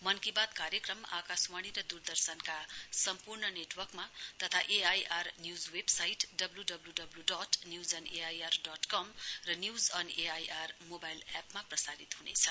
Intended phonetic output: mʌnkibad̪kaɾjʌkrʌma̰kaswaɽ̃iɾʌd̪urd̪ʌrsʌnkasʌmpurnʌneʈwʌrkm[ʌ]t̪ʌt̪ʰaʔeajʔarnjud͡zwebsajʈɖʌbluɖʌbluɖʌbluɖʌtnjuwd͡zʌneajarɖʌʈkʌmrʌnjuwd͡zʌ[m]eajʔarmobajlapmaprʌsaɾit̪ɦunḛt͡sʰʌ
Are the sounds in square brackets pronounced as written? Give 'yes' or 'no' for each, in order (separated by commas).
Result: no, no